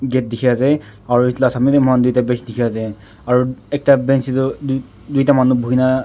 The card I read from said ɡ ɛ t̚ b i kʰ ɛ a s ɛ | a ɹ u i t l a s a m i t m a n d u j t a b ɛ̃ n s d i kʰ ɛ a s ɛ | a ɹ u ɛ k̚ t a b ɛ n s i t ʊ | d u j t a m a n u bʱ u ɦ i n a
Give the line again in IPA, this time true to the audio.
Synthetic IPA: ɡ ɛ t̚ d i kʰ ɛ a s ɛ | a ɹ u i t l a s a m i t m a n d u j t a b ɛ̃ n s d i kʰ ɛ a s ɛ | a ɹ u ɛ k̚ t a b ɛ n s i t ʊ | d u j t a m a n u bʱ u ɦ i n a